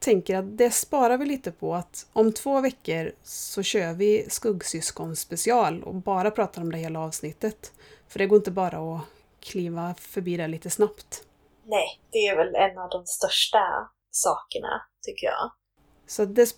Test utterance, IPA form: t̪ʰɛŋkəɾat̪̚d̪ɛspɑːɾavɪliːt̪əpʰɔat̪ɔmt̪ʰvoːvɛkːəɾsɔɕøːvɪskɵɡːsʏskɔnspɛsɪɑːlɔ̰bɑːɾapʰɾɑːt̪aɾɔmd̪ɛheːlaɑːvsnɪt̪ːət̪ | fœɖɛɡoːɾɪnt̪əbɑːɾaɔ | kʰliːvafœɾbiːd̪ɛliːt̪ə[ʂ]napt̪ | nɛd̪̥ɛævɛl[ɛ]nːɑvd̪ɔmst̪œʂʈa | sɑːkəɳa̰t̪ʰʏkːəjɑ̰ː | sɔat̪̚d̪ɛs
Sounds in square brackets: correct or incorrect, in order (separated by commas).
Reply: incorrect, correct